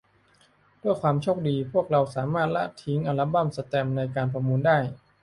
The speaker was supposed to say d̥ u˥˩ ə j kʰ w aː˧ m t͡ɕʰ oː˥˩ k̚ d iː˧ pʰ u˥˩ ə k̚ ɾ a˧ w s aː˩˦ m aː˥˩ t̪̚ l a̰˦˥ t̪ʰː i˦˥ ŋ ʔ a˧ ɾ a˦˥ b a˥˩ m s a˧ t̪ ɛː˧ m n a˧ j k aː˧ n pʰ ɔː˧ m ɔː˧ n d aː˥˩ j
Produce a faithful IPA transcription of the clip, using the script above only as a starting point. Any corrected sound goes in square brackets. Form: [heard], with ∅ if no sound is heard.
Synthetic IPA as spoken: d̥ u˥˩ ə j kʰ w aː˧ m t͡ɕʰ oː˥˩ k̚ d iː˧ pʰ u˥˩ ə k̚ ɾ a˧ w s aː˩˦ m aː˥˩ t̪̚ l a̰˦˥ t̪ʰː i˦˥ ŋ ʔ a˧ [l] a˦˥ b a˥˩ m s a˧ t̪ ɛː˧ m n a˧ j k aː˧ n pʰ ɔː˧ m [uː˧] n d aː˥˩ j